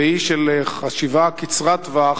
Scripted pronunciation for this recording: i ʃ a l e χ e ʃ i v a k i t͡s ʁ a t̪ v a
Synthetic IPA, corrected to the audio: i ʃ e l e χ a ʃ i v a k i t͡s ʁ a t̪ v a